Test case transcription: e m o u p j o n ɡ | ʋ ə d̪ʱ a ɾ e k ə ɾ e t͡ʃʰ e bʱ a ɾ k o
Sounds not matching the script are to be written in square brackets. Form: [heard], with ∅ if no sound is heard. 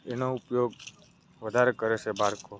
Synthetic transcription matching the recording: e [n] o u p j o [∅] ɡ | ʋ ə d̪ʱ a ɾ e k ə ɾ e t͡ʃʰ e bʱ a ɾ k o